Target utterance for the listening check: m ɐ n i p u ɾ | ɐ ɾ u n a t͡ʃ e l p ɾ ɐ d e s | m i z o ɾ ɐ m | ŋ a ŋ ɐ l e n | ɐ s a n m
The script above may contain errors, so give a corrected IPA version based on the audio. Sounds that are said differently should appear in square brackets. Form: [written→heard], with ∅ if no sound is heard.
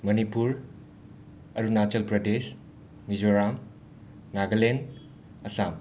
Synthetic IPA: m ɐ n i p u ɾ | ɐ ɾ u n a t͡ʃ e l p ɾ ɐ d e s | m i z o ɾ [ɐ→a] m | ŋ a [ŋ→ɡ] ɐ l e n | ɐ s a [n→∅] m